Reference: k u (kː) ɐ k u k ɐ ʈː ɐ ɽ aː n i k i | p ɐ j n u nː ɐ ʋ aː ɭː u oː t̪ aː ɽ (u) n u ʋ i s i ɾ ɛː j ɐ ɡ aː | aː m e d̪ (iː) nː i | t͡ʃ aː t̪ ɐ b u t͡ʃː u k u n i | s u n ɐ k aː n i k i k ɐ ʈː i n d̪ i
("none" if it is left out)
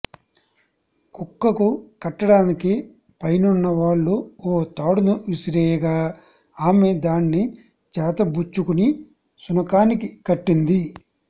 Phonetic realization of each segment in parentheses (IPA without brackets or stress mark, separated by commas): kː, u, aː